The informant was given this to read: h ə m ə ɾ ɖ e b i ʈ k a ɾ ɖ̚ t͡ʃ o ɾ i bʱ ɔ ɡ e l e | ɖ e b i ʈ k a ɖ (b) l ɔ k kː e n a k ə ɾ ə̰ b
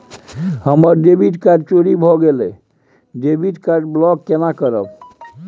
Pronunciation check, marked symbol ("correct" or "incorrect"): correct